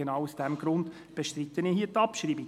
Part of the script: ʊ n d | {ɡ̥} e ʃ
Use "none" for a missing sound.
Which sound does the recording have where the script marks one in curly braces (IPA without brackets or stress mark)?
b̥